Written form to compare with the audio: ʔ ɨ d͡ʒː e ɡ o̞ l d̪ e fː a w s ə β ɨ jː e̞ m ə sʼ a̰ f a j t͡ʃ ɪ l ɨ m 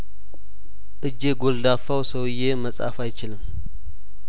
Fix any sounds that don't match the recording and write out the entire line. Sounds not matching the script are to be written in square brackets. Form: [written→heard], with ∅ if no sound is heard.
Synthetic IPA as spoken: ʔ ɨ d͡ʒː e ɡ o̞ l d̪ [e→a] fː a w s ə [β→w] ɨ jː e̞ m ə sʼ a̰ f a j t͡ʃ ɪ l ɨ m